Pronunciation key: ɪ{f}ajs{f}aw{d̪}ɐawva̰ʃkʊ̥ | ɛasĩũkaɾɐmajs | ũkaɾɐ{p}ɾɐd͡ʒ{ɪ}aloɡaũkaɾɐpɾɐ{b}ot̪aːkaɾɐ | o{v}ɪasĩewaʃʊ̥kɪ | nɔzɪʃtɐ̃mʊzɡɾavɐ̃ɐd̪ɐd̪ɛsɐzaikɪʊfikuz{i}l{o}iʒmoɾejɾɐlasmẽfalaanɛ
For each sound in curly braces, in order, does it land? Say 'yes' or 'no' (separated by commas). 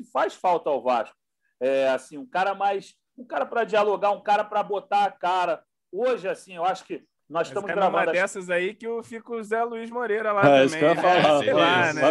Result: yes, yes, no, yes, no, yes, no, no, no